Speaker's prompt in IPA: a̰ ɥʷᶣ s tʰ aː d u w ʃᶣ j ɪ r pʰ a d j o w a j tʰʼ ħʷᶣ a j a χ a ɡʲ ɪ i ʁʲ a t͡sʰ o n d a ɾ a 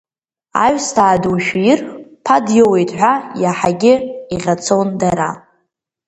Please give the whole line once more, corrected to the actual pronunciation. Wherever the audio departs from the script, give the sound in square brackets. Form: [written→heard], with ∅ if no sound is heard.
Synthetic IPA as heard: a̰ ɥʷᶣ s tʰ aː d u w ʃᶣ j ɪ r pʰ a d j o w [a→e] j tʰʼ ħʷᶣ a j a [χ→ħ] a ɡʲ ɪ i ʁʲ a t͡sʰ o n d a ɾ a

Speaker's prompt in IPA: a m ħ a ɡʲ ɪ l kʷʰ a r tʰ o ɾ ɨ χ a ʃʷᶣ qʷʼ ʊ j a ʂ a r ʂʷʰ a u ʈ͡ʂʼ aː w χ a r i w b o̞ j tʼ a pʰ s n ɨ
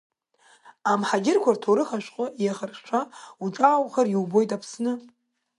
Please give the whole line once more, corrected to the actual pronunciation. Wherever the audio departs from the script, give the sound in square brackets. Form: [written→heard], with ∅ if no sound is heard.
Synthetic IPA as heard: a m ħ a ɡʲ ɪ [l→r] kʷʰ a r tʰ o ɾ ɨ χ a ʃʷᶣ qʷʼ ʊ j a [ʂ→χ] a r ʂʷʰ a u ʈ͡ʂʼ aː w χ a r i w b o̞ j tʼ a pʰ s n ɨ

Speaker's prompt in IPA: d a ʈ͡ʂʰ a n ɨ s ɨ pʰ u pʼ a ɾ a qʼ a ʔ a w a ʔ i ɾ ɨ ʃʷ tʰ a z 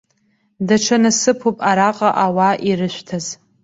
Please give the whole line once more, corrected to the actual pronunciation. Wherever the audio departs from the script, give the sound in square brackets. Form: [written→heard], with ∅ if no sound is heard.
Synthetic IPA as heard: d a ʈ͡ʂʰ a n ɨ s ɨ pʰ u pʼ a ɾ a qʼ a ʔ a w a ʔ i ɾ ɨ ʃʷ tʰ a z

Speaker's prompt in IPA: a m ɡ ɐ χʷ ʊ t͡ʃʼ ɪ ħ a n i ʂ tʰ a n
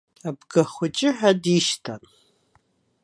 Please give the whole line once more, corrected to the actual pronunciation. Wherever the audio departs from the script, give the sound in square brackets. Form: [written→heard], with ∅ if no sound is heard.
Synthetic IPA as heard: a [m→b] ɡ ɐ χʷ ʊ t͡ʃʼ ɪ ħ a [n→d] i [ʂ→ʃ] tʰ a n

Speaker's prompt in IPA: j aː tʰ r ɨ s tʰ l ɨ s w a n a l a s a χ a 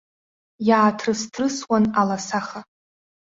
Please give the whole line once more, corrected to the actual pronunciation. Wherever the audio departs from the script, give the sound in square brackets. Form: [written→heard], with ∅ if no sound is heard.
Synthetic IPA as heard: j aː tʰ r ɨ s tʰ [l→r] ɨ s w a n a l a s a χ a

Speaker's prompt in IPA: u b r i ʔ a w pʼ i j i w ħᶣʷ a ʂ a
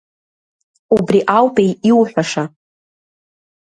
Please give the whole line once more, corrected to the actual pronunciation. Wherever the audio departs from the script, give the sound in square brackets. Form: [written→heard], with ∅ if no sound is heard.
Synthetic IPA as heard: u b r i ʔ a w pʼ [i→e] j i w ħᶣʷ a ʂ a

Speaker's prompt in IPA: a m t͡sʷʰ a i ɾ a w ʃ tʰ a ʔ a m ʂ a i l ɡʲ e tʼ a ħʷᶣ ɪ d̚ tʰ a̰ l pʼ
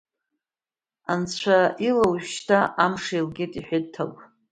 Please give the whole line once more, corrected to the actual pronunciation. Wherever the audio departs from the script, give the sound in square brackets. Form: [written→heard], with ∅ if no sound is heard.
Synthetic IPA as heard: a [m→n] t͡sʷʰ a i [ɾ→l] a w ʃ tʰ a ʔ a m ʂ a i l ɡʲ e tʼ [a→i] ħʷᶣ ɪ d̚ tʰ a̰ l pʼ

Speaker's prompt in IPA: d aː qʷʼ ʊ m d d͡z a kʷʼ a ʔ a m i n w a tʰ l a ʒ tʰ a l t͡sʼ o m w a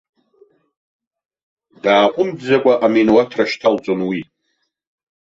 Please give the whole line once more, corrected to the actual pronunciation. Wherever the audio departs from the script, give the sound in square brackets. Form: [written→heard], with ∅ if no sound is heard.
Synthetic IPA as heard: d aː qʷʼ ʊ m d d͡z a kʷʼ a ʔ a m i n w a tʰ [l→r] a [ʒ→ʃ] tʰ a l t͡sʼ o [m→n] w [a→i]

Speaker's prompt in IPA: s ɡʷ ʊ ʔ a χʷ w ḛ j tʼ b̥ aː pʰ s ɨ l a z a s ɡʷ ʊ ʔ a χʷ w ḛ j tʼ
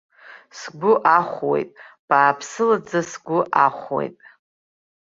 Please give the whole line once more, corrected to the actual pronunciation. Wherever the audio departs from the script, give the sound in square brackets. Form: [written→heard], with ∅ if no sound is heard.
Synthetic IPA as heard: s ɡʷ ʊ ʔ a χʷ w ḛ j tʼ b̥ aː pʰ s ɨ l a [z→d͡z] a s ɡʷ ʊ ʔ a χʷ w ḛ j tʼ

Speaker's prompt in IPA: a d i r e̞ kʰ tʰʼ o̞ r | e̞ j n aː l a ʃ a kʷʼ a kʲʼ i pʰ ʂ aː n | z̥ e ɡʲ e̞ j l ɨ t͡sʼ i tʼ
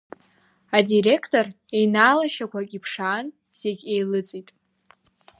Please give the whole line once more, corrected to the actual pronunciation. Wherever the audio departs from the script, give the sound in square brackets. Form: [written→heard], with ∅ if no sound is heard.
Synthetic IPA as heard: a d i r e̞ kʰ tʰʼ o̞ r | e̞ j n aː l a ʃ a [kʷʼ→kʷ] a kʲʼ i pʰ ʂ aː n | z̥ e ɡʲ e̞ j l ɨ t͡sʼ i tʼ

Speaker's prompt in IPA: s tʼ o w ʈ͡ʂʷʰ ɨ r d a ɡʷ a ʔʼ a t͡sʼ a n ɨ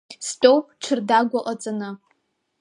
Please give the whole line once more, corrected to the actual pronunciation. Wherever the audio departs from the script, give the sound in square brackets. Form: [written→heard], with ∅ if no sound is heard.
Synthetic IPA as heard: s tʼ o w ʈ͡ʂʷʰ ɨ r d a ɡʷ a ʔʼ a t͡sʼ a n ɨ

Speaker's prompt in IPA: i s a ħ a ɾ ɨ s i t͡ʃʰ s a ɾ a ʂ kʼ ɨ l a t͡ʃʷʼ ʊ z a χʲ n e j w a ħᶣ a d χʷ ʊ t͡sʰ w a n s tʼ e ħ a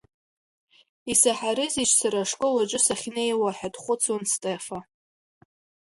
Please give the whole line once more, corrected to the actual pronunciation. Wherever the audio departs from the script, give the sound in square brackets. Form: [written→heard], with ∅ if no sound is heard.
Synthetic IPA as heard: i s a ħ a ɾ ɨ [s→z] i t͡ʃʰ s a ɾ a ʂ kʼ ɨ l a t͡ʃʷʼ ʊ [z→s] a χʲ n e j w a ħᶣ a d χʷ ʊ t͡sʰ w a n s tʼ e [ħ→f] a

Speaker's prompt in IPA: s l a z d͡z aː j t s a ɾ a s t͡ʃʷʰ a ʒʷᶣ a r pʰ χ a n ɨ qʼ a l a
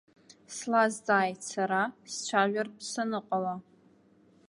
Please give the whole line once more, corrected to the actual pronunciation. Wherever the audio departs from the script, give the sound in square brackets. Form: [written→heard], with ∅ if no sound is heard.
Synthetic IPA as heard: s l a z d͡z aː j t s a ɾ a s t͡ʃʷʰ a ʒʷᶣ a r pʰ [χ→s] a n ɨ qʼ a l a

